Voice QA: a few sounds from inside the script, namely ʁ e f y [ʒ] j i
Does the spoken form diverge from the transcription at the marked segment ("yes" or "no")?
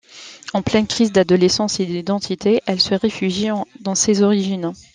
no